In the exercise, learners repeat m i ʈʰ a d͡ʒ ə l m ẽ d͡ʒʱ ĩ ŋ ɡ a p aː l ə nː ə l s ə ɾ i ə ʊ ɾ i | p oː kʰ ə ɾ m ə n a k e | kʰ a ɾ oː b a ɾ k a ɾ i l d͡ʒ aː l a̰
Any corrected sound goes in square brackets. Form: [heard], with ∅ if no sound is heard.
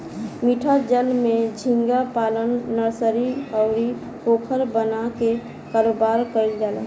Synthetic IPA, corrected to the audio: m i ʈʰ a d͡ʒ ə l m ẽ d͡ʒʱ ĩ ŋ ɡ a p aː l ə nː ə [ɾ] s ə ɾ i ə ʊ ɾ i | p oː kʰ ə ɾ [b] ə n a k e | [k] a ɾ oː b a ɾ k [ə] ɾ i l d͡ʒ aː l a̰